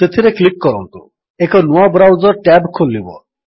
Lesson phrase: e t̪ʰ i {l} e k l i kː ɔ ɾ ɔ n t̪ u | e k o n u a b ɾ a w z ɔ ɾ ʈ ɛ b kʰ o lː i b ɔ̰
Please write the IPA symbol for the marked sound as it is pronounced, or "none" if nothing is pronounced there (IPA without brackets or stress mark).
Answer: ɾ